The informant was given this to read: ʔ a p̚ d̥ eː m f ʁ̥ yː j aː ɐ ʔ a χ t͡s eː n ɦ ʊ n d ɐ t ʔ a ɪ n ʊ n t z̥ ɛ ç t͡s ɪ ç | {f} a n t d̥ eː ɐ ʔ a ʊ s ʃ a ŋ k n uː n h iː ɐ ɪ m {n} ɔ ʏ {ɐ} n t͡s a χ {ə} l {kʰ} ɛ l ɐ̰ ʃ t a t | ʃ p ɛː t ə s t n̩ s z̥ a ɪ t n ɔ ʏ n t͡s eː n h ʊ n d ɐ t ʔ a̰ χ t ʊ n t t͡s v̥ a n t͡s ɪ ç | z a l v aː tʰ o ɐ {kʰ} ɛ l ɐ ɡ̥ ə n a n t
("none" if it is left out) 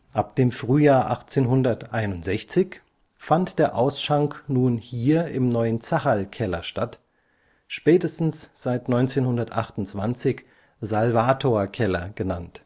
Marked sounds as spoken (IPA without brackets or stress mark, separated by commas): f, n, ə, a, kʰ, kʰ